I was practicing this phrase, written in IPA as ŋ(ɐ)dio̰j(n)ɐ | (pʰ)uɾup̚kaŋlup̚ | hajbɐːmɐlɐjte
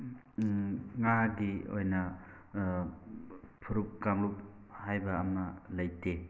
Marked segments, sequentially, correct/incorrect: incorrect: a, correct, correct

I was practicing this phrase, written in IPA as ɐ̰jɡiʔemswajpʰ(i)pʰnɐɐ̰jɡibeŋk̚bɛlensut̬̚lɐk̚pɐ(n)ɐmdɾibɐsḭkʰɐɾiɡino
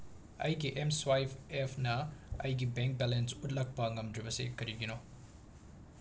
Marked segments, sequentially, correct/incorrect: incorrect: e, incorrect: ŋ

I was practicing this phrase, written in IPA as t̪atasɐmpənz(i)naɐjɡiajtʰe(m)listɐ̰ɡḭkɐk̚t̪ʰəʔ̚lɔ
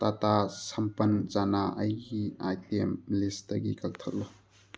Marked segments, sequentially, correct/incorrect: incorrect: a, correct

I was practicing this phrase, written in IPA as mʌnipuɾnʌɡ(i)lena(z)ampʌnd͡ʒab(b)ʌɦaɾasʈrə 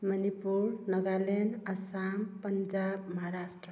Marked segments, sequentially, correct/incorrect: incorrect: a, incorrect: s, incorrect: m

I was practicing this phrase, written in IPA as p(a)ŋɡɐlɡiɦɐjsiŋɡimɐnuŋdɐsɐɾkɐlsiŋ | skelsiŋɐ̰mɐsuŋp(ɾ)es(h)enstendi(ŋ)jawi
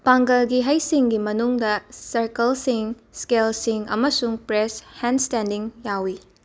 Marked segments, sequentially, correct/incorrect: correct, correct, correct, correct

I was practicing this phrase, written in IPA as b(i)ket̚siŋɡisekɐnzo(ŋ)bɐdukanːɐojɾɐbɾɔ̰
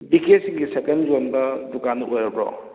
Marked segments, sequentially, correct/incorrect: correct, incorrect: n

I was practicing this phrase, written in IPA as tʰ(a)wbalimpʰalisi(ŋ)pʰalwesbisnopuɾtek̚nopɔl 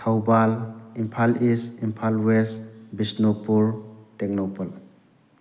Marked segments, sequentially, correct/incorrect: correct, incorrect: m

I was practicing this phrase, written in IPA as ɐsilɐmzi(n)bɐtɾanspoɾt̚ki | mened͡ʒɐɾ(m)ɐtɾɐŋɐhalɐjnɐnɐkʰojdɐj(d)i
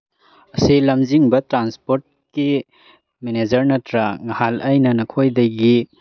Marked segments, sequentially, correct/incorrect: incorrect: ŋ, incorrect: n, incorrect: ɡ

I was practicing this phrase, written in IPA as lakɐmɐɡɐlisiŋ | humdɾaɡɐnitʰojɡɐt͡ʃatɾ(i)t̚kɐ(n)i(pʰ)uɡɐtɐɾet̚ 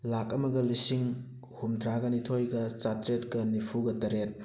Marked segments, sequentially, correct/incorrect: incorrect: e, correct, correct

